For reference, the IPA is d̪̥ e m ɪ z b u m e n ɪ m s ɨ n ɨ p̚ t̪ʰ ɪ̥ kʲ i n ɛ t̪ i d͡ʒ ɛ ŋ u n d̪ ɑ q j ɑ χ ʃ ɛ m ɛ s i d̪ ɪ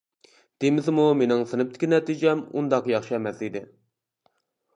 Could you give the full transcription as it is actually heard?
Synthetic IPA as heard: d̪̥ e m ɪ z m u m e n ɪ ŋ s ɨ n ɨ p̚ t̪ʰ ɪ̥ kʲ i n ɛ t̪ i d͡ʒ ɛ m u n d̪ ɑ q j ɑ χ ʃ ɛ m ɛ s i d̪ ɪ